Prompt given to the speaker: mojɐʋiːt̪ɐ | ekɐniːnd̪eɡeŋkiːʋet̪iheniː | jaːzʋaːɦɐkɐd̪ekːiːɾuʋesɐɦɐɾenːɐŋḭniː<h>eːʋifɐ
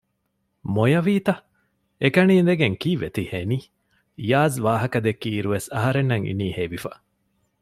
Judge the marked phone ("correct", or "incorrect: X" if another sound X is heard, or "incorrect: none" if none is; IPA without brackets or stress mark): correct